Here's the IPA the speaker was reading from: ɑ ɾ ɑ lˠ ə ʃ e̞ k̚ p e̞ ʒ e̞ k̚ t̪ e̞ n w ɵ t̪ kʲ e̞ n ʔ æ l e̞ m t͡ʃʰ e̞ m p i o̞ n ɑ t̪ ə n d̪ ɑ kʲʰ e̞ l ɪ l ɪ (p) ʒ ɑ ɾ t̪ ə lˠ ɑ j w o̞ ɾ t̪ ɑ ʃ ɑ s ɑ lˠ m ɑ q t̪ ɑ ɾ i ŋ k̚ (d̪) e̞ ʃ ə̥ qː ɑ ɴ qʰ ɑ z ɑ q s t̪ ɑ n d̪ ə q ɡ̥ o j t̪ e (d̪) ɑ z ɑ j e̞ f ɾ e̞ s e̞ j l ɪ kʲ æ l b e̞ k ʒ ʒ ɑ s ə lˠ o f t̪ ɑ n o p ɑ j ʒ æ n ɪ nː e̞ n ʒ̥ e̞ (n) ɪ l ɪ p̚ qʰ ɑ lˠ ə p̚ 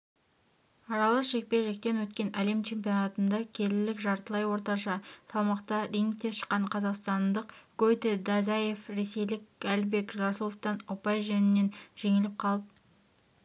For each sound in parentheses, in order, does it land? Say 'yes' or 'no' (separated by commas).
no, no, yes, no